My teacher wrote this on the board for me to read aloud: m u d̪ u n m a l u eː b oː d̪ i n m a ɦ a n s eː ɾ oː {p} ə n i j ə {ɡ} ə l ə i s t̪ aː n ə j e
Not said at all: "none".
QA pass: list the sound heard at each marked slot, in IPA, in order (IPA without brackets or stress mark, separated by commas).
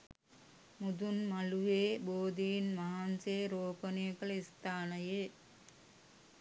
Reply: p, k